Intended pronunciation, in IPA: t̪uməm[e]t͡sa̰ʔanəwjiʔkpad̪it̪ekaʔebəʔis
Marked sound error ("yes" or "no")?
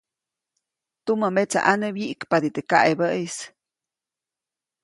no